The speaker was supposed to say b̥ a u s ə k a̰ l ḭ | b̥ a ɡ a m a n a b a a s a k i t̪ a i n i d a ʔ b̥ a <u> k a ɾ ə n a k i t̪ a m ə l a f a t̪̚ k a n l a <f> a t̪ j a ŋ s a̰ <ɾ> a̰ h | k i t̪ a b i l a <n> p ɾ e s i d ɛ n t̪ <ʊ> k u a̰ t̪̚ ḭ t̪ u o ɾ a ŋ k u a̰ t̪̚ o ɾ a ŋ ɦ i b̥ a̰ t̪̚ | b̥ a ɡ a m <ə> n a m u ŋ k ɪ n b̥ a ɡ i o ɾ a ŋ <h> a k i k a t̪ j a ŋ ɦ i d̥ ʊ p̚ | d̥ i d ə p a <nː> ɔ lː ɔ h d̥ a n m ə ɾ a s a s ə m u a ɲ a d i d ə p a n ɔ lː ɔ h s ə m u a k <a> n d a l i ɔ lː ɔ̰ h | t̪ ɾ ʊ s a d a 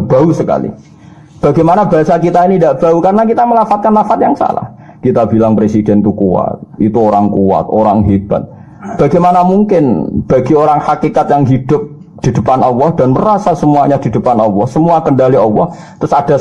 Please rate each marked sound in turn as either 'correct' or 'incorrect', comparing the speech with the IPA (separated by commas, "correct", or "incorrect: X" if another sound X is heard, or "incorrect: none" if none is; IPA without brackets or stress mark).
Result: correct, correct, incorrect: l, incorrect: ŋ, incorrect: u, incorrect: a, correct, incorrect: n, incorrect: ə